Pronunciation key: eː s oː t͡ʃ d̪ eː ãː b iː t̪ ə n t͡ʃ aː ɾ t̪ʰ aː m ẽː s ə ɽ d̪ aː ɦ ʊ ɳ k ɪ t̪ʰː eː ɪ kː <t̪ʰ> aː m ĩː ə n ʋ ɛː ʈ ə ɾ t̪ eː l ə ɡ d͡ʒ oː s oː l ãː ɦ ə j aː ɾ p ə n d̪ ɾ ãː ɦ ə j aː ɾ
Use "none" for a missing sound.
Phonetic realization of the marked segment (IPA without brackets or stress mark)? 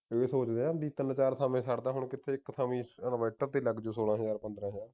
t̪ʰ